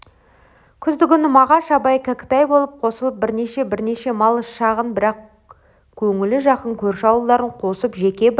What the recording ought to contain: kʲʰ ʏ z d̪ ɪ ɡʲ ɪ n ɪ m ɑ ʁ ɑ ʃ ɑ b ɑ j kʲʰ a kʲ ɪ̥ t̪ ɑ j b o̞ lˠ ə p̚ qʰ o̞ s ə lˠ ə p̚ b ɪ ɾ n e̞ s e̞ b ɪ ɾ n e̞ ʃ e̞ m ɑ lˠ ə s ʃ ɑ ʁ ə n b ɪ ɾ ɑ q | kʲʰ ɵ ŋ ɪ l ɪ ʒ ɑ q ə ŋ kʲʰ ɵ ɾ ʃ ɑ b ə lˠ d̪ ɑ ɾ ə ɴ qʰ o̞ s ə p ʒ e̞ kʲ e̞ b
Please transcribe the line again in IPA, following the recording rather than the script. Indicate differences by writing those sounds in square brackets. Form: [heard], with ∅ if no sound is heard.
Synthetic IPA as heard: kʲʰ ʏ z d̪ ɪ ɡʲ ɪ n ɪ m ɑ ʁ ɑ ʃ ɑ b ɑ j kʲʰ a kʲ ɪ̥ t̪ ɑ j b o̞ lˠ ə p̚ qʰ o̞ s ə lˠ ə p̚ b ɪ ɾ n e̞ [ʃ] e̞ b ɪ ɾ n e̞ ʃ e̞ m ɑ lˠ ə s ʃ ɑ ʁ ə n b ɪ ɾ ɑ q | kʲʰ ɵ ŋ ɪ l ɪ ʒ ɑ q ə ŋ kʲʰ ɵ ɾ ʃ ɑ [w] ə lˠ d̪ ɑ ɾ ə ɴ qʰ o̞ s ə p ʒ e̞ kʲ e̞ b